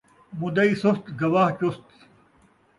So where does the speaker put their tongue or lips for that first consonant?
lips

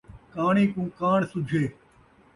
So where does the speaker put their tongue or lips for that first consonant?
velum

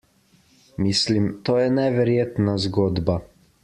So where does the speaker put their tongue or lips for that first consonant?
lips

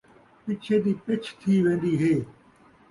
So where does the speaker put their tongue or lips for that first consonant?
lips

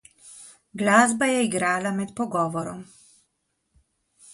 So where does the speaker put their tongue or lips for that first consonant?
velum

